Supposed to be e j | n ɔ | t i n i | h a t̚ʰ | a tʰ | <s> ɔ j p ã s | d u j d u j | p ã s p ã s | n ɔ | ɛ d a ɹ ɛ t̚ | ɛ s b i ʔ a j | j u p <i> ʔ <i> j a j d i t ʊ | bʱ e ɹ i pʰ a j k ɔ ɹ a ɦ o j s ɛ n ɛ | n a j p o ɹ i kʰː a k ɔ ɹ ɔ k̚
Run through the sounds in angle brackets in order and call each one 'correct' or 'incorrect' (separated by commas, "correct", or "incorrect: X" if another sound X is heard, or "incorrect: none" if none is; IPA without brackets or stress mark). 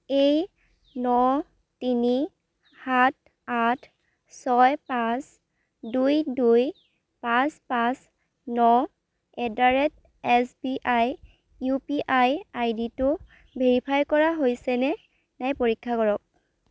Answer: correct, correct, incorrect: a